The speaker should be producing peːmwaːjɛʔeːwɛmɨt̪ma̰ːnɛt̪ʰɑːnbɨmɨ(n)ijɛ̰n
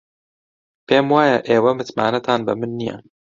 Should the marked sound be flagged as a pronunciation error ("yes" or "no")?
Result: yes